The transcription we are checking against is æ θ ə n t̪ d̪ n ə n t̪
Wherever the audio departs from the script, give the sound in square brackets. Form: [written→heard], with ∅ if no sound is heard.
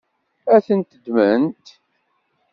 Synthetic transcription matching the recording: æ θ ə n t̪ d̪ [n→m] ə n t̪